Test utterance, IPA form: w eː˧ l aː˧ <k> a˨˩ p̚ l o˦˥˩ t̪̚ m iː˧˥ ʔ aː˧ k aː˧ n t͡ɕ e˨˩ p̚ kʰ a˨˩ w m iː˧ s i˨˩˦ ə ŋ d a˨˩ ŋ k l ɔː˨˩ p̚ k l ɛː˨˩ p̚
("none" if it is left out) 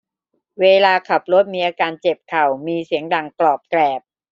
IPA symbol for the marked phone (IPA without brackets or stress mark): kʰ